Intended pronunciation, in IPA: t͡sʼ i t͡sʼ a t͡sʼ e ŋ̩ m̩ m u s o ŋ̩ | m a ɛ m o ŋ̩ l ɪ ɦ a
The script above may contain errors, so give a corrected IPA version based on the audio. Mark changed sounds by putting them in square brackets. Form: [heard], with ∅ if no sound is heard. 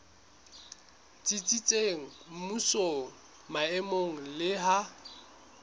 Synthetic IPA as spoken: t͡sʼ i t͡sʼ [i] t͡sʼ e ŋ̩ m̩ m u s o ŋ̩ | m a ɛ m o ŋ̩ l ɪ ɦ a